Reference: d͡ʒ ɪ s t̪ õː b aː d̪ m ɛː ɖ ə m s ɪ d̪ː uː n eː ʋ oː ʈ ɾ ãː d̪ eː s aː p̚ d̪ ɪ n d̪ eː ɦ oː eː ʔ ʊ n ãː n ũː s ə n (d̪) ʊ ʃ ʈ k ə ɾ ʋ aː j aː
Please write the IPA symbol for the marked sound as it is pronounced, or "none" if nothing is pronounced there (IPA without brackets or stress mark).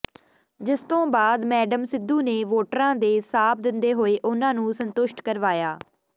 t̪